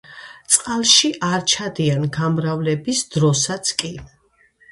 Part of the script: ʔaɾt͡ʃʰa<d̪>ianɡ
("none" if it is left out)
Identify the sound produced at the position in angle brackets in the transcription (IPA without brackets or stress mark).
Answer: d̪